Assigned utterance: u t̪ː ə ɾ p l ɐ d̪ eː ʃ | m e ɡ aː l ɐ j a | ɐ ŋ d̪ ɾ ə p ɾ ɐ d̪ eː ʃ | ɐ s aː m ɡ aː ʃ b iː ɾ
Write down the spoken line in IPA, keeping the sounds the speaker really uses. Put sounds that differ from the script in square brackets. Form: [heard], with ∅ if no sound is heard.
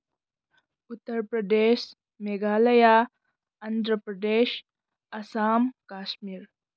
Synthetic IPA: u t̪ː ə ɾ p [ɾ] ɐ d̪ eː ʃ | m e ɡ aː l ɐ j a | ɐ [n] d̪ ɾ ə p ɾ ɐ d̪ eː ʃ | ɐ s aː m [k] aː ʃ [m] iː ɾ

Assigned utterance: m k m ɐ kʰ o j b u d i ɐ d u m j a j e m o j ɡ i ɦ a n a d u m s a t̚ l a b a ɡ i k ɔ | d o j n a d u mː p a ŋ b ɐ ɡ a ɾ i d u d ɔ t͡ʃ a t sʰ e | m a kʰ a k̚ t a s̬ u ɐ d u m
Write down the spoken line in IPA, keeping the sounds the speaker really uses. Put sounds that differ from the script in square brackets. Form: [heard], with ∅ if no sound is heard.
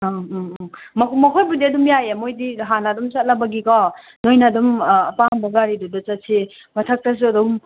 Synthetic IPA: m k m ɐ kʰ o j b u d i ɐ d u m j a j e m o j [d] i ɦ a n a d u m s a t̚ l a b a ɡ i k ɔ | [n] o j n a d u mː p a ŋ b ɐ ɡ a ɾ i d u d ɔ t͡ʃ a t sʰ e | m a [tʰ] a k̚ t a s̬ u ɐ d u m

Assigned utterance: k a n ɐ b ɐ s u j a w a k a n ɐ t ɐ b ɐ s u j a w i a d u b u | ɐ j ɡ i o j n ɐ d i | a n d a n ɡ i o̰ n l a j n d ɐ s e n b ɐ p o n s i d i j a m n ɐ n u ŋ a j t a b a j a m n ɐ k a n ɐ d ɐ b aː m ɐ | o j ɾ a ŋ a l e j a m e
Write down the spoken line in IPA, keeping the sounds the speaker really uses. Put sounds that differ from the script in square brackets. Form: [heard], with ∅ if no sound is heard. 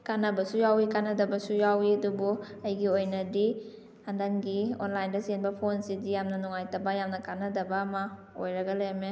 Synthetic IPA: k a n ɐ b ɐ s u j a w [i] k a n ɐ [d] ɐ b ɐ s u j a w i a d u b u | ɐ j ɡ i o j n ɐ d i | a n d a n ɡ i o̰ n l a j n d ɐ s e n b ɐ [pʰ] o n s i d i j a m n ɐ n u ŋ a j t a b a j a m n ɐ k a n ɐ d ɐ b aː m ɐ | o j ɾ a [ɡ] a l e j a m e

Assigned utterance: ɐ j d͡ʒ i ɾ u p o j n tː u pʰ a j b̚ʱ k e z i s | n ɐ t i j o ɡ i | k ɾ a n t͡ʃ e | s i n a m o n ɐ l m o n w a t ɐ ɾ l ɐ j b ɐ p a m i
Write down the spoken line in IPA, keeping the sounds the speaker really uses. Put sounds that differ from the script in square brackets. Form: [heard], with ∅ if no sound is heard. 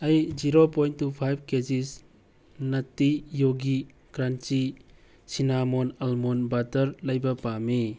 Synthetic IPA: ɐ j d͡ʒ i ɾ [o] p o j n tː u pʰ a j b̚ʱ k e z i s | n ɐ t i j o ɡ i | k ɾ a n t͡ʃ [i] | s i n a m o n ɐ l m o n [b] a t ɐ ɾ l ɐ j b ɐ p a m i

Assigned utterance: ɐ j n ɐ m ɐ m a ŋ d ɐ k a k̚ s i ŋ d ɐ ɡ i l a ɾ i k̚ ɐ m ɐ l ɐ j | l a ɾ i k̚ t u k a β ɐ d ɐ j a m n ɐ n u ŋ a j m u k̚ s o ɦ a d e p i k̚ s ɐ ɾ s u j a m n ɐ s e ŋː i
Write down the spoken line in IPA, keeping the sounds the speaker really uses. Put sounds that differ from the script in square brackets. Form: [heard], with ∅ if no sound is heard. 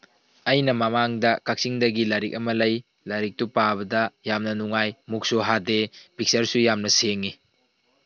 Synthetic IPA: ɐ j n ɐ m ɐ m a ŋ d ɐ k a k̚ s i ŋ d ɐ ɡ i l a ɾ i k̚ ɐ m ɐ l ɐ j | l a ɾ i k̚ t u [p] a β ɐ d ɐ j a m n ɐ n u ŋ a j m u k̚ s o ɦ a d e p i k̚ s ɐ ɾ s u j a m n ɐ s e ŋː i

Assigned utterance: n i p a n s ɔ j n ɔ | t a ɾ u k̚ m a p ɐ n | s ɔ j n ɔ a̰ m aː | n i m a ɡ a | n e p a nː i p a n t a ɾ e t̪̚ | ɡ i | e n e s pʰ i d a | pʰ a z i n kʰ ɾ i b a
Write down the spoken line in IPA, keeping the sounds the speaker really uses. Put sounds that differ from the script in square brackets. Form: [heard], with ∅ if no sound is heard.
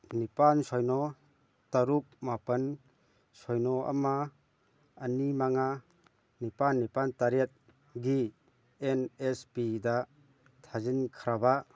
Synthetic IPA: n i p a n s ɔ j n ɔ | t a ɾ u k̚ m a p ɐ n | s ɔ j n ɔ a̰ m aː | n i m a [ŋ] a | n [i] p a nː i p a n t a ɾ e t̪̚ | ɡ i | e n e s [p] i d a | [tʰ] a z i n kʰ ɾ [a] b a

